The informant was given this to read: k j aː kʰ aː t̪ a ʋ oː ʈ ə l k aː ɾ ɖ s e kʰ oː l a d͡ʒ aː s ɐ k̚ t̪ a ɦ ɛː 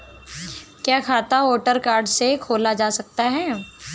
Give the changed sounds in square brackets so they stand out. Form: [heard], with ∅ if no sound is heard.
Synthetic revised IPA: k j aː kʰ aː t̪ a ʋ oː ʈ ə [ɾ] k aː ɾ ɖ s e kʰ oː l a d͡ʒ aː s ɐ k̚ t̪ a ɦ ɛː